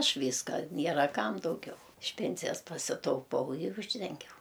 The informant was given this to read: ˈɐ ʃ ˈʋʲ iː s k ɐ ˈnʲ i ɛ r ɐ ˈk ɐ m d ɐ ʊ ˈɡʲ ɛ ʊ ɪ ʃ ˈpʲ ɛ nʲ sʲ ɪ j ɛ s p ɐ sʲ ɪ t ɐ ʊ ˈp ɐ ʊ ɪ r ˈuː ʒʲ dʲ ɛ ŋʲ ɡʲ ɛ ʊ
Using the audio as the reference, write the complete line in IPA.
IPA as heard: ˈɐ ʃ ˈʋʲ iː s k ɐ ˈnʲ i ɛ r ɐ ˈk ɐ m d ɐ ʊ ˈɡʲ ɛ ʊ ɪ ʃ ˈpʲ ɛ nʲ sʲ ɪ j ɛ s p ɐ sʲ ɪ t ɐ ʊ ˈp ɐ ʊ ɪ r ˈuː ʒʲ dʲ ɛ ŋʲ ɡʲ ɛ ʊ